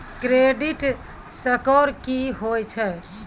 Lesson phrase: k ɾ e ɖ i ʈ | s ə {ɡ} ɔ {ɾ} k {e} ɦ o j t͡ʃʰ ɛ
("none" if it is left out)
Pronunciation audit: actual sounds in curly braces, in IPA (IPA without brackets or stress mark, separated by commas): k, ɾ, i